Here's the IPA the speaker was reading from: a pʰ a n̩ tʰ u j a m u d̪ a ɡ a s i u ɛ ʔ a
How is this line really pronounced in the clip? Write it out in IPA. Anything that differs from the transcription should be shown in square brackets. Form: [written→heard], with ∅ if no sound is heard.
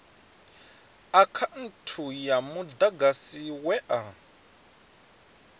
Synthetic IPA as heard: a [pʰ→kʰ] a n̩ tʰ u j a m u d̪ a ɡ a s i [u→w] ɛ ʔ a